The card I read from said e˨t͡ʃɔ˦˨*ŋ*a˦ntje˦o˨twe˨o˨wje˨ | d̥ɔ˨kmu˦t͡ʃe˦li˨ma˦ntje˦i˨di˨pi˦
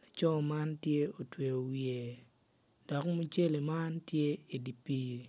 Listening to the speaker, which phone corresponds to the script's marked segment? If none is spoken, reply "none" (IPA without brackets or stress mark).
m